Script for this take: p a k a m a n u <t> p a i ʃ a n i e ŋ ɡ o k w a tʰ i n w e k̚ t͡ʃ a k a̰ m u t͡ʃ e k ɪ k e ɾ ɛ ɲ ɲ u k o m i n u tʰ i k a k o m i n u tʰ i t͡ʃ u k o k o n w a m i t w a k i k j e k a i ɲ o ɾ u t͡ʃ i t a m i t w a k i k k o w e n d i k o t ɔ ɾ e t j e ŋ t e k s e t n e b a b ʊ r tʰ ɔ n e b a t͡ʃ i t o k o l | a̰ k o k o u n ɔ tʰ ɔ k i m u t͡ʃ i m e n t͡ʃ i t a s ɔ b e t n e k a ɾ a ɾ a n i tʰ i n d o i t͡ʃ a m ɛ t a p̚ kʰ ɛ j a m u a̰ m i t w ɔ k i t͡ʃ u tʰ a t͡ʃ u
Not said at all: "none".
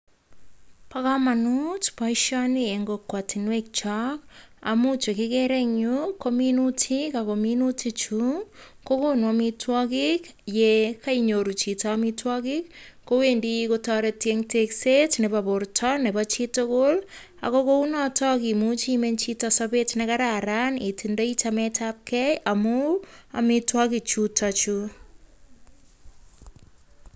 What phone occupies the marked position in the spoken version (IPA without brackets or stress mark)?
t